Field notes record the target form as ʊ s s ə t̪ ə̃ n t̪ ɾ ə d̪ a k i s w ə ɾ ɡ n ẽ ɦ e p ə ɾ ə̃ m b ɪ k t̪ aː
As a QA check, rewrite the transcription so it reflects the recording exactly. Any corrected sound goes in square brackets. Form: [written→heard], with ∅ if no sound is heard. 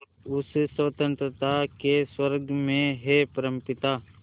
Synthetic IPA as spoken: ʊ s s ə t̪ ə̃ n t̪ ɾ ə [d̪→t̪] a k [i→e] s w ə ɾ ɡ [n→m] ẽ ɦ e p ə ɾ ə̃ m [b→p] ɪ [k→∅] t̪ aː